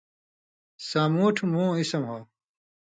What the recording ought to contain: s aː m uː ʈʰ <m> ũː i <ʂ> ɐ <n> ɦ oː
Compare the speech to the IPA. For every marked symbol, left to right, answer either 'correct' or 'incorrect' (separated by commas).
correct, incorrect, incorrect